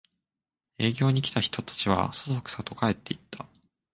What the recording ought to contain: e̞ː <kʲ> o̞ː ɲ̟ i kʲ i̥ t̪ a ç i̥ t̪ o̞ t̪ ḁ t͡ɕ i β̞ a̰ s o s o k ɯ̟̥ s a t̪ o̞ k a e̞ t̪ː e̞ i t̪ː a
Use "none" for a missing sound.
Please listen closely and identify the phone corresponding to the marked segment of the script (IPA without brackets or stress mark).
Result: ɡʲ